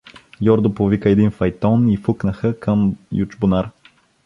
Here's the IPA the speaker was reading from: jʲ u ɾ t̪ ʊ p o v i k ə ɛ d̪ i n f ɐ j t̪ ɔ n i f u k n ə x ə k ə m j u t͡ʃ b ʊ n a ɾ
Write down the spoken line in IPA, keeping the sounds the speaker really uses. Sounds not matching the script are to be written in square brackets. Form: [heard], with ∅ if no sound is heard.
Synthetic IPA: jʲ [ɔ] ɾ [d̪] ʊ p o v i k ə ɛ d̪ i n f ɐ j t̪ ɔ n i f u k n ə x ə k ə m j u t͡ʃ b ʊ n a ɾ